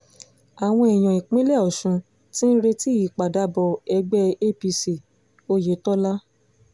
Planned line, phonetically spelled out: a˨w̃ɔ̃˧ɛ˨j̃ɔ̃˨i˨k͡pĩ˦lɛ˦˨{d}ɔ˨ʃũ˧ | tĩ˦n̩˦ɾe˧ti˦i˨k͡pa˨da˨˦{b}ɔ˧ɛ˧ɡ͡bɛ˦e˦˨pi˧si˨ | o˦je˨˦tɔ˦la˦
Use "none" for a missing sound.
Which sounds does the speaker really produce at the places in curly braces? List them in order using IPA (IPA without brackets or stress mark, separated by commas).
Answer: none, b